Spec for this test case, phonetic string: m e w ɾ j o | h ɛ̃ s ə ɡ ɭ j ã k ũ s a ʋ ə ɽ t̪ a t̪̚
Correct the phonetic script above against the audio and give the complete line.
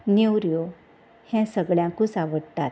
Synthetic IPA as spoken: n e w ɾ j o | h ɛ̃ s ə ɡ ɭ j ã k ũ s a ʋ ə ɽ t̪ a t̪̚